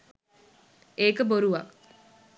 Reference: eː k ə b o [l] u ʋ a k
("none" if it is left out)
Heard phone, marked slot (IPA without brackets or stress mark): ɾ